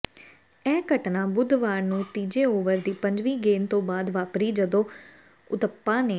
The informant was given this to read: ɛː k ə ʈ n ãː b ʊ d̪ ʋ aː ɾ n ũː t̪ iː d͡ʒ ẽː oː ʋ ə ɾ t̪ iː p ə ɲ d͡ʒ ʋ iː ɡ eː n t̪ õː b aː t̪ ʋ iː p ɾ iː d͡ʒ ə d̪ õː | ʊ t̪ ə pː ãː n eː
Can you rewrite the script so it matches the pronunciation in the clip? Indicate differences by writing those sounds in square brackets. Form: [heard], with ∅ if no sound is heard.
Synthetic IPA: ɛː k ə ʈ n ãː b ʊ d̪ ʋ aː ɾ n ũː t̪ iː d͡ʒ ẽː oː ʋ ə ɾ [d̪] iː p ə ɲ d͡ʒ ʋ iː ɡ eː n t̪ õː b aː [d̪] ʋ [aː] p ɾ iː d͡ʒ ə d̪ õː | ʊ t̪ ə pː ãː n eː